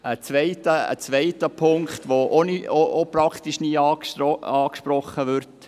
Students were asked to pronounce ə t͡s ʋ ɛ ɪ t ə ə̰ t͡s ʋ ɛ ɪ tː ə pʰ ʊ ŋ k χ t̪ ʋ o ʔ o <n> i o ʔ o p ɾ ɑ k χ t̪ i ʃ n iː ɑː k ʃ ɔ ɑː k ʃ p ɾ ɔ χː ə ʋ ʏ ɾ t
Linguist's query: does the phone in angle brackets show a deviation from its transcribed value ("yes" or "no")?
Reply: no